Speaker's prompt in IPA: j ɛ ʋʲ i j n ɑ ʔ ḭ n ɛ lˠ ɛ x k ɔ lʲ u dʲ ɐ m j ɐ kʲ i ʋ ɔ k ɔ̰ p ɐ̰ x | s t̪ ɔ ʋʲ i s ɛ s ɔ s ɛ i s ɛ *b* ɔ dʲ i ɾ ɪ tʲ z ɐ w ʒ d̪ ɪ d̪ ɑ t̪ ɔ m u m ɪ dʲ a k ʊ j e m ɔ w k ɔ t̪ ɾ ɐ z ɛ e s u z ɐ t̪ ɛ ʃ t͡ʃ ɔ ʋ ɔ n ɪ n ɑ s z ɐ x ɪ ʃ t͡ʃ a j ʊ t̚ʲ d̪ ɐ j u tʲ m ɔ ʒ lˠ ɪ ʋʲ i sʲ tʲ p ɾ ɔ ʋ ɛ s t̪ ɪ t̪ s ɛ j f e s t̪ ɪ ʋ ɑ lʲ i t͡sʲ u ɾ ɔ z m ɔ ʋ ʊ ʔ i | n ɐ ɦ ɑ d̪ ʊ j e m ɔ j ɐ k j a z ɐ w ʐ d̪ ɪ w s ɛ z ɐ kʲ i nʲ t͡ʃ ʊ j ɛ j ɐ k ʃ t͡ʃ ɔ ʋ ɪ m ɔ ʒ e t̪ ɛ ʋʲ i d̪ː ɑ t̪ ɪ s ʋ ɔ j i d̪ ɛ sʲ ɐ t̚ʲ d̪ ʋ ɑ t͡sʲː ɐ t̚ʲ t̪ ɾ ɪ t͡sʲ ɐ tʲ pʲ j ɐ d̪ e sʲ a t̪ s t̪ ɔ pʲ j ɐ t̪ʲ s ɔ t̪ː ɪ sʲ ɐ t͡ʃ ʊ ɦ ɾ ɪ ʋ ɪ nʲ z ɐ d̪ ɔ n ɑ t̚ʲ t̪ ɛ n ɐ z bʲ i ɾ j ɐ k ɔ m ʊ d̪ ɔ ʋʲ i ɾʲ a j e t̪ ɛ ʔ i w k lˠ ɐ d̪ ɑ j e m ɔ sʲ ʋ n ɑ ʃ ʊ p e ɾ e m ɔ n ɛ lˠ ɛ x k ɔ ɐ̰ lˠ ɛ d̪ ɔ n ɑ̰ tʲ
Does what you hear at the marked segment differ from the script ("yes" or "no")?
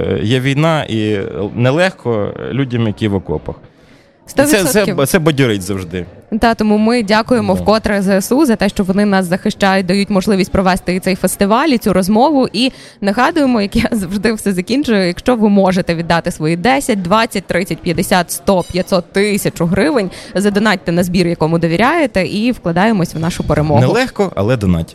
no